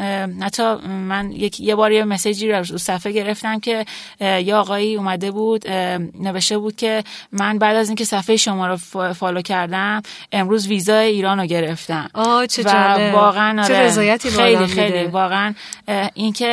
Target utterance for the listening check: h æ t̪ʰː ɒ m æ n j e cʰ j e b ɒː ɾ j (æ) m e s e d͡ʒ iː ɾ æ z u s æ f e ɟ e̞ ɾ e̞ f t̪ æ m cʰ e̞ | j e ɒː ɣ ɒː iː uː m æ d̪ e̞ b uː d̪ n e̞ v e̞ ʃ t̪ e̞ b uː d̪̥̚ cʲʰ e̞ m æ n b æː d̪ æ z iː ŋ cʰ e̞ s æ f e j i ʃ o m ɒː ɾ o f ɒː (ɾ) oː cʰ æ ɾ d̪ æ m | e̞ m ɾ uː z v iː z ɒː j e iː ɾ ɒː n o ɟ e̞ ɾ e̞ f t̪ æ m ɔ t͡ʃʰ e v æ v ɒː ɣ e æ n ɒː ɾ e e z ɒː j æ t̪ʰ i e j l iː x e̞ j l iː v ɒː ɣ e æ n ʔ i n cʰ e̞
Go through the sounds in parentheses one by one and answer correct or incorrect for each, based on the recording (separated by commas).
incorrect, incorrect